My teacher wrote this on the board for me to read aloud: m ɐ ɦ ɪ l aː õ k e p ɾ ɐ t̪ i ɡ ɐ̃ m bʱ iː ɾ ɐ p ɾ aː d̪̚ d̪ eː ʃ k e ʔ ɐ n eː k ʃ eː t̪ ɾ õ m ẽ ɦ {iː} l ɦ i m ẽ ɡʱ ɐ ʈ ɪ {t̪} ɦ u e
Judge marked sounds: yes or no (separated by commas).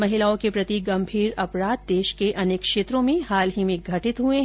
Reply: no, yes